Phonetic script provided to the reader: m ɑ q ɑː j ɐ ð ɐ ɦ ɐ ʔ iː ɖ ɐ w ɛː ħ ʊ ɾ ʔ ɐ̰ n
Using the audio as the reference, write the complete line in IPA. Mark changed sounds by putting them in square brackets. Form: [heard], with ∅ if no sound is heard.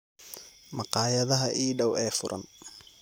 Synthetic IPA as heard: m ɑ q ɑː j ɐ ð ɐ ɦ ɐ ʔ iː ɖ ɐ w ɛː [f] ʊ ɾ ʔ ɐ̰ n